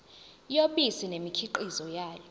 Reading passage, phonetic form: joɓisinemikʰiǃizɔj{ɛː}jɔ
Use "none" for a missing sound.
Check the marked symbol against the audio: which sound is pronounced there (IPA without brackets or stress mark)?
aː